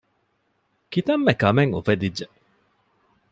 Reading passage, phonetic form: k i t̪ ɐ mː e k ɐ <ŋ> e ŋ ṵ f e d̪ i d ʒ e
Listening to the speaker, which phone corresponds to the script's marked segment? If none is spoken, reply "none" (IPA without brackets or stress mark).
m